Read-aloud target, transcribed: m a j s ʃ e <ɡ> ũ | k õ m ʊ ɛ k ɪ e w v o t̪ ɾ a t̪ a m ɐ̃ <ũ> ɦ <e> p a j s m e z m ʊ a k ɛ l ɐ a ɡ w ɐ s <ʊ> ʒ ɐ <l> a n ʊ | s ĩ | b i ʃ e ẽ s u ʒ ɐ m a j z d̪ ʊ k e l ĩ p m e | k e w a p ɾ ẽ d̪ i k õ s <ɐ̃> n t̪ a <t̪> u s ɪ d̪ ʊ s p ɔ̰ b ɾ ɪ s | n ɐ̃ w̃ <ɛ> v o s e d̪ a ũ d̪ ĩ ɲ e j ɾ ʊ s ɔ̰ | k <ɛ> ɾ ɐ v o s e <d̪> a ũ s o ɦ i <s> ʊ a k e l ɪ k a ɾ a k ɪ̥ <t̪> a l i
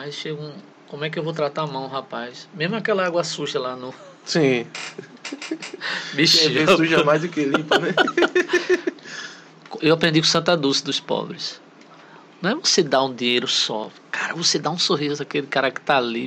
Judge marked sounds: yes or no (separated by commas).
yes, no, no, no, yes, yes, no, yes, no, yes, no, yes